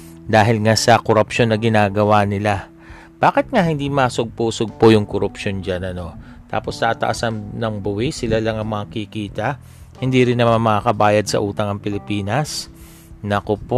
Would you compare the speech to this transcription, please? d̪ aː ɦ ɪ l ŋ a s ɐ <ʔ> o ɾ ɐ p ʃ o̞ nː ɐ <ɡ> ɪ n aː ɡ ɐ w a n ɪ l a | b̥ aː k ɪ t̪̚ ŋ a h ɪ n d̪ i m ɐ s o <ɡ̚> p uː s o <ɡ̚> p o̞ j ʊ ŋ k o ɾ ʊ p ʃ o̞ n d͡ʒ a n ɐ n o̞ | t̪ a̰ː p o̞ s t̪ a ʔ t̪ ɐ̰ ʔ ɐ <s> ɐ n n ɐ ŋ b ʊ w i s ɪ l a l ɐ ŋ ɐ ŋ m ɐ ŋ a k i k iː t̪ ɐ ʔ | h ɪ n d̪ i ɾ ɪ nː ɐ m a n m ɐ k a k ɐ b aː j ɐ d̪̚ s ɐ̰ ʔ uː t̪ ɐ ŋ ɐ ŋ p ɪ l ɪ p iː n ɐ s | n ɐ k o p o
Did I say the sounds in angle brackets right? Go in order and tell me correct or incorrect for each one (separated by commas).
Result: incorrect, correct, correct, correct, correct